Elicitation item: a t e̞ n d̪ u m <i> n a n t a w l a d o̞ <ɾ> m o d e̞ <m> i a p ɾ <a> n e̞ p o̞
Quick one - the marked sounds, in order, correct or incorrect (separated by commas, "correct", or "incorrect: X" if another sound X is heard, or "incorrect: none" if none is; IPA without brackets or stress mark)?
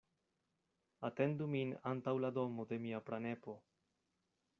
correct, incorrect: none, correct, correct